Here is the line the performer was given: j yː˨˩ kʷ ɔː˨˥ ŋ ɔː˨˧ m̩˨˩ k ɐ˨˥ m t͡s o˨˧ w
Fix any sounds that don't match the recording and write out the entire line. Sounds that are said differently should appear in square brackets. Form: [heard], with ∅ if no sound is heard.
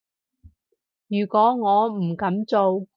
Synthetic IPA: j yː˨˩ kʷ ɔː˨˥ ŋ ɔː˨˧ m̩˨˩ k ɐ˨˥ m t͡s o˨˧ w